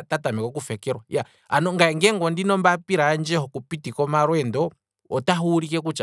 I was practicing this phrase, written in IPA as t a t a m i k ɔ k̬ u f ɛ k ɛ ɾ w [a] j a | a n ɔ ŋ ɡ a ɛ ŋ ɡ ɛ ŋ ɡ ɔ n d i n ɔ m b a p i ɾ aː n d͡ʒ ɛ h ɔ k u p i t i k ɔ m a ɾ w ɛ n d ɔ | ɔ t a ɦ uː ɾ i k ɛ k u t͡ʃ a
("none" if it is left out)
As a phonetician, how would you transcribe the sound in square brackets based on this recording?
a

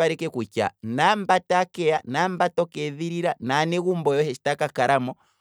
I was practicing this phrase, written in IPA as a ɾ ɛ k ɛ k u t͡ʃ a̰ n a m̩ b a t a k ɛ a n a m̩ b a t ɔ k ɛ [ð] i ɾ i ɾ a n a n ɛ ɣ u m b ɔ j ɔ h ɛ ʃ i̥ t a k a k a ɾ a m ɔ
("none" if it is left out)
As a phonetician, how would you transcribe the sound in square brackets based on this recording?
ð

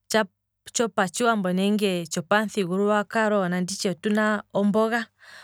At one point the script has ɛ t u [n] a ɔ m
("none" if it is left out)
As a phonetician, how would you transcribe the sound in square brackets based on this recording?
n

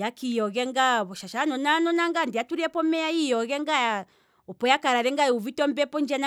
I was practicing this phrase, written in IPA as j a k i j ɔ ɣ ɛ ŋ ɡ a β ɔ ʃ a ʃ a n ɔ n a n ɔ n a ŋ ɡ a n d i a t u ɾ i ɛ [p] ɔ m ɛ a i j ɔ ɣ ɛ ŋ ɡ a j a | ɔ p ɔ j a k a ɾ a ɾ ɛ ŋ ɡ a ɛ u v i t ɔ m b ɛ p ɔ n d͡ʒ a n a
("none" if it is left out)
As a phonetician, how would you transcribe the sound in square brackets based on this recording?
p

